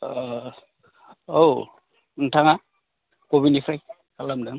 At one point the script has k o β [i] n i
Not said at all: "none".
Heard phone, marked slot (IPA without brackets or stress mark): i